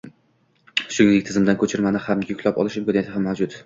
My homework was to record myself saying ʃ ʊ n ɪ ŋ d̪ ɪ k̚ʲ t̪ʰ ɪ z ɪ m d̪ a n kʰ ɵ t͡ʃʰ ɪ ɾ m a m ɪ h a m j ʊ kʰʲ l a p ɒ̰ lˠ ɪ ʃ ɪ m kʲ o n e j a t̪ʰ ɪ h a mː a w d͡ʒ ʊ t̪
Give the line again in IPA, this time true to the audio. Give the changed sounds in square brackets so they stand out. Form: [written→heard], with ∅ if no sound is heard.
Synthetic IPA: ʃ ʊ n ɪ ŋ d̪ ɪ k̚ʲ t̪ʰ ɪ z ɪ m d̪ a n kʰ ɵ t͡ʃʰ ɪ ɾ m a [m→n] ɪ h a m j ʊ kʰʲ l a p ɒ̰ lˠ ɪ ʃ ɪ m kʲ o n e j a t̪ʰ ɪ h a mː a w d͡ʒ ʊ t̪